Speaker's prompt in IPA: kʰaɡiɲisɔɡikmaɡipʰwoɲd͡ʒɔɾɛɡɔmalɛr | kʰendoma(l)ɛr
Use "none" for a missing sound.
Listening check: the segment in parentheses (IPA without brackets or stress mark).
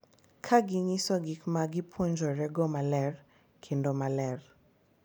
l